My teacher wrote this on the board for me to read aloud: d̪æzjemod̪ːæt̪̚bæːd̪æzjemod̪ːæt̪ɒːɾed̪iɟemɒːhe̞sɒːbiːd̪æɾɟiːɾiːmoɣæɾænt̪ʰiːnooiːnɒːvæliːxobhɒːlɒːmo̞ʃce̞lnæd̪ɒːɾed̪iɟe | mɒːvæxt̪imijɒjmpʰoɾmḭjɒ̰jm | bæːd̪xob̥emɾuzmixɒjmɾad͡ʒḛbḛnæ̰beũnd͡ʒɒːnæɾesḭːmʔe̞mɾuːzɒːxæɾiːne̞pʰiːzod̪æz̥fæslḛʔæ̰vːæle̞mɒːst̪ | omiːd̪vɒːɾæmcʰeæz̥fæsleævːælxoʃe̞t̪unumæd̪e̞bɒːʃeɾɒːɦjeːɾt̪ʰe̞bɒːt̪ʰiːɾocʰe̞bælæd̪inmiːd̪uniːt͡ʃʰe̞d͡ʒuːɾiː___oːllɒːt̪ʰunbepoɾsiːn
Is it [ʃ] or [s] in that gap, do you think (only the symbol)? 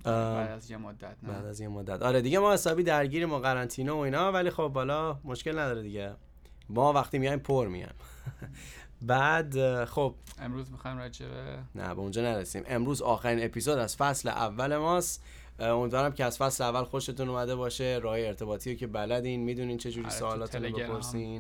s